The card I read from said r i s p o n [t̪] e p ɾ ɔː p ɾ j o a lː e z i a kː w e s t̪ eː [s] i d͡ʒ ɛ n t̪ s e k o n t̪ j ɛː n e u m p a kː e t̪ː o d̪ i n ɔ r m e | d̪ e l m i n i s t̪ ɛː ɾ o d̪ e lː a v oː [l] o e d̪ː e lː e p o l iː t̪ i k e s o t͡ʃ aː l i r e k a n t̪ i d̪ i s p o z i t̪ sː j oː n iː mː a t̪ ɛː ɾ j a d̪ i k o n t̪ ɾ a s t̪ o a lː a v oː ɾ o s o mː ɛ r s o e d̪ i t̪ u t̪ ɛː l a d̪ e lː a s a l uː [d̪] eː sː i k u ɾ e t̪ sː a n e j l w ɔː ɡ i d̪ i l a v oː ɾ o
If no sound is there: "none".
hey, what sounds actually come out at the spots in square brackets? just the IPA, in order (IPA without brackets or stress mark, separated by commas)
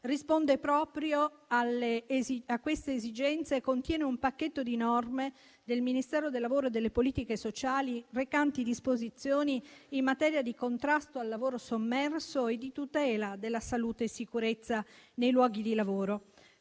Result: d̪, z, ɾ, t̪